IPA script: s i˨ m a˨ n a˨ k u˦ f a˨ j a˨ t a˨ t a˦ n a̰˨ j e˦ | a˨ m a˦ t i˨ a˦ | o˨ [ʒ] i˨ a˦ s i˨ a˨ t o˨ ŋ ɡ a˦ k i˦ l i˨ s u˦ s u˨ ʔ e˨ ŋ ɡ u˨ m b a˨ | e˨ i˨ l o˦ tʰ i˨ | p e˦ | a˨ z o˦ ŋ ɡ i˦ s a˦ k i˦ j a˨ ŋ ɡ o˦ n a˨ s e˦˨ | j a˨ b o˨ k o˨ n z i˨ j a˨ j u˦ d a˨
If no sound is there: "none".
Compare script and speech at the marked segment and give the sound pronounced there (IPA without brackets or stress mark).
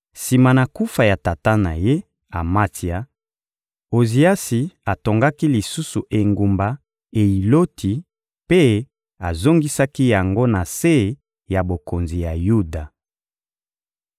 z